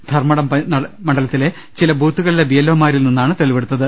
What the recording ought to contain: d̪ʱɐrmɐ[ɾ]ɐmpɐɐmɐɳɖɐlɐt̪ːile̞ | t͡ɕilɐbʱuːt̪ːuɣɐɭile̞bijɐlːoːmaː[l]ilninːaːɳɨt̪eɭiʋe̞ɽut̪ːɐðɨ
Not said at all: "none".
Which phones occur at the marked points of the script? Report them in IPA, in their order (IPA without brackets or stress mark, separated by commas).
ɽ, ɾ